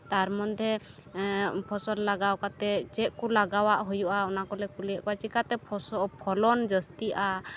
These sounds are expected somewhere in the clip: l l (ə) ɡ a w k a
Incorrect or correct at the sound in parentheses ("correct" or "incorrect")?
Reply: incorrect